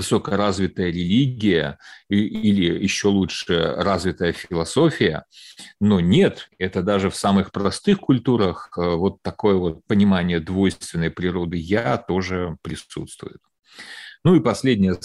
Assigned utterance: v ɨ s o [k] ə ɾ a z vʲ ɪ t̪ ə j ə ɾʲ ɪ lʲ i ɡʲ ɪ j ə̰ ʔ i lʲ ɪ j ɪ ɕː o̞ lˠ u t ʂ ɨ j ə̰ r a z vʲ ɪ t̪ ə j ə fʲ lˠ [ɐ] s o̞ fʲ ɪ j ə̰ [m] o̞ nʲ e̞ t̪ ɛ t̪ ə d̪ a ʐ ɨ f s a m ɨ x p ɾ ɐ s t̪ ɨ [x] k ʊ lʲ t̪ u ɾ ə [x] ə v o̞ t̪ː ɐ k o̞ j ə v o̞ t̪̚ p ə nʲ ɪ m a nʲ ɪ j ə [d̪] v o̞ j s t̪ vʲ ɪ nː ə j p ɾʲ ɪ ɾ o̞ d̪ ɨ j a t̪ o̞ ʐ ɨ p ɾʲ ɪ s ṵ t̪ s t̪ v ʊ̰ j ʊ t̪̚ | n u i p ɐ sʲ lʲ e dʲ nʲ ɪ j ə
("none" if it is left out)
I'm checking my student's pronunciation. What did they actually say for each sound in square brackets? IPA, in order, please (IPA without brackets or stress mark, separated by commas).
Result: k, ɐ, n, x, x, d̪